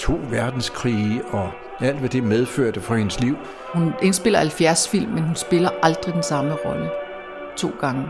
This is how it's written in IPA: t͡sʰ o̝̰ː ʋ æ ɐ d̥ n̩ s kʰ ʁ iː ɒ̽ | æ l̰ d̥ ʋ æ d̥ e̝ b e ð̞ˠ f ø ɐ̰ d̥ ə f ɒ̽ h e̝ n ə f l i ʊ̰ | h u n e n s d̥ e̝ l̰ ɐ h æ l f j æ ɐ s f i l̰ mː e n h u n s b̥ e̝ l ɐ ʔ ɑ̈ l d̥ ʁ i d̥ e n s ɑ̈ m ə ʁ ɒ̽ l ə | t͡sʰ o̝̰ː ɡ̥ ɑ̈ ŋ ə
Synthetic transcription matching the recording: t͡sʰ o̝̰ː ʋ æ ɐ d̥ n̩ s kʰ ʁ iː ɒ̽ | æ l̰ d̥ ʋ æ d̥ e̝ m e ð̞ˠ f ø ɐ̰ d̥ ə f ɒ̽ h e̝ n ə s l i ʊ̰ | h u n e n s b̥ e̝ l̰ ɐ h æ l f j æ ɐ s f i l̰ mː e n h u n s b̥ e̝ l ɐ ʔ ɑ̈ l d̥ ʁ i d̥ e n s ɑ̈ m ə ʁ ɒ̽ l ə | t͡sʰ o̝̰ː ɡ̥ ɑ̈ ŋ ə